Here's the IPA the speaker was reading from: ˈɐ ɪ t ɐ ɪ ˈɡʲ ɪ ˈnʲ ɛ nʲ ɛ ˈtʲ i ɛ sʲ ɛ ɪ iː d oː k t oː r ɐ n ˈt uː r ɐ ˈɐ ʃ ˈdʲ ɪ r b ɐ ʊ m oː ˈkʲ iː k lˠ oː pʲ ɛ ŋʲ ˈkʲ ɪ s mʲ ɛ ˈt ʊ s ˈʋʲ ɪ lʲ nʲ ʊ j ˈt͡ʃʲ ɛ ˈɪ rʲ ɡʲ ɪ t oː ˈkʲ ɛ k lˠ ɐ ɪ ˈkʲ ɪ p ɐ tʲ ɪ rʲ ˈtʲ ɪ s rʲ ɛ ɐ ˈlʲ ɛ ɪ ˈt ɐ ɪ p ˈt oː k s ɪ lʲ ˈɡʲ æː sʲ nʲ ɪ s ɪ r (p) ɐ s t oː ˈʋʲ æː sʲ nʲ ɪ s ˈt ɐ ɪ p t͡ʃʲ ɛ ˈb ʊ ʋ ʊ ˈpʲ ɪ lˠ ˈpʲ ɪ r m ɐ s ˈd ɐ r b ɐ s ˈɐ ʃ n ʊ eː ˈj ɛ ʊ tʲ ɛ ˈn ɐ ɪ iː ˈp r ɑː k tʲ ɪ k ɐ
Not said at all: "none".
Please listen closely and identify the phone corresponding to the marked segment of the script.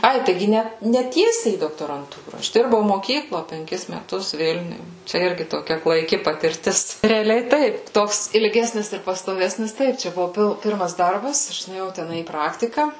p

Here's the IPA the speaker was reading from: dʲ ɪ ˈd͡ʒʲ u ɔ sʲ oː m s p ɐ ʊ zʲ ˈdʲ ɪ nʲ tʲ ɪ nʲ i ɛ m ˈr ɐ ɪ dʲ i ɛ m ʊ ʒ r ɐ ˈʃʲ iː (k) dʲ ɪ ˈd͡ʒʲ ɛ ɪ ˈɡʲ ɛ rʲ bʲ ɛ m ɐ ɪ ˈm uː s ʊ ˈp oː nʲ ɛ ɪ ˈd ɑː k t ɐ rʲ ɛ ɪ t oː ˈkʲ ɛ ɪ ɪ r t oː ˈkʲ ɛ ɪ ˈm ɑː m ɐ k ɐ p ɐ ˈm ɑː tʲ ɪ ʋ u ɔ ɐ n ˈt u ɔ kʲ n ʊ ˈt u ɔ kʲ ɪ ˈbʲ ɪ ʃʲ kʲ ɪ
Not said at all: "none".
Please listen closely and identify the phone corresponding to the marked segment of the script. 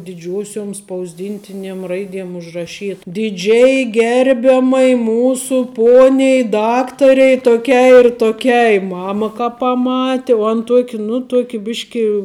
t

